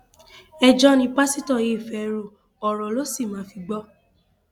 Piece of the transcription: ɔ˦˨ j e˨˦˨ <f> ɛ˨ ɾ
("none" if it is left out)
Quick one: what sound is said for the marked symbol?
f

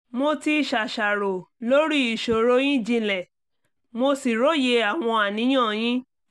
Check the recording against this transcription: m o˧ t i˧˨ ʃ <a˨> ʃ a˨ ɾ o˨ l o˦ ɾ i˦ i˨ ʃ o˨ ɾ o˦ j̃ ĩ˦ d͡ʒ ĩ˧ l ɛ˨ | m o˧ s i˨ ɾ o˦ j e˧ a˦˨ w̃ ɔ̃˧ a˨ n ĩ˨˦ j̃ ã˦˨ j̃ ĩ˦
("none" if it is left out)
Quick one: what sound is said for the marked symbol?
a˨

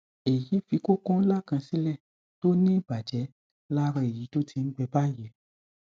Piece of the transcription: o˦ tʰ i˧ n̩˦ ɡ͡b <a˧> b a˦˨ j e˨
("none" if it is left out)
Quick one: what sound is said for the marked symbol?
ɛ˧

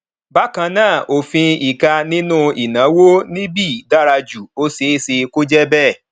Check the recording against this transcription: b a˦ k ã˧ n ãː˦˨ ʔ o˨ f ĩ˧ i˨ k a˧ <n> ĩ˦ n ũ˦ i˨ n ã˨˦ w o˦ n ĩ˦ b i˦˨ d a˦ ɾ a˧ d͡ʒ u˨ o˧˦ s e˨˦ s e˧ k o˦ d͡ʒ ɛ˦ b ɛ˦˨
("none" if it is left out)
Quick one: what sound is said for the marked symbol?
n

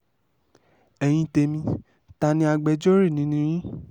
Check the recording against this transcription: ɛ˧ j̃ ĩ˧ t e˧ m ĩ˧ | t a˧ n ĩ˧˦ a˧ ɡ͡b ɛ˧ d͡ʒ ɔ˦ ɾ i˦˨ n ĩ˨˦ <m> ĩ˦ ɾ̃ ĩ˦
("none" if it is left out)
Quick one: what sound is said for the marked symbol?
n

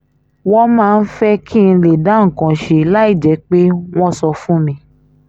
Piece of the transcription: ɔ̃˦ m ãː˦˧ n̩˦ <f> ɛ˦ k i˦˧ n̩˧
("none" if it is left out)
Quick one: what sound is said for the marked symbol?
f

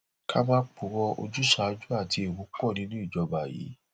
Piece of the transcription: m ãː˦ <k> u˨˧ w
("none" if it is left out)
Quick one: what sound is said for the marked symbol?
k͡p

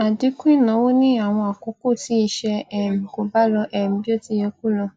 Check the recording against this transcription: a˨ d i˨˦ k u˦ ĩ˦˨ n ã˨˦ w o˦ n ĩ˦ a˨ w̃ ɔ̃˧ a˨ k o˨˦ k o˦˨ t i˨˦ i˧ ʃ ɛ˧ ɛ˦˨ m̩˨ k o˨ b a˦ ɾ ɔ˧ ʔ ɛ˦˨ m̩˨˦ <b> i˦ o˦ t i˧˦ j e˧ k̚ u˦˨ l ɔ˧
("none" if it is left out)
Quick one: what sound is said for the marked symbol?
b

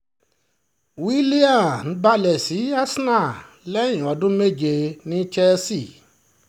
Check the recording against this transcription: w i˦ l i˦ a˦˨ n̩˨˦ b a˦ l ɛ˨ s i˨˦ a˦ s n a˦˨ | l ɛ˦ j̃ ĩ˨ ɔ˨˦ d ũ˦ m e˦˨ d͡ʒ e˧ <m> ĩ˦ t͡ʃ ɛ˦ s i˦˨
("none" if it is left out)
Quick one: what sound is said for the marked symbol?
n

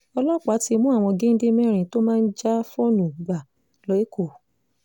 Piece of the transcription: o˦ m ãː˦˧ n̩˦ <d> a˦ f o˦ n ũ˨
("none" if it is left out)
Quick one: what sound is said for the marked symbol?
d͡ʒ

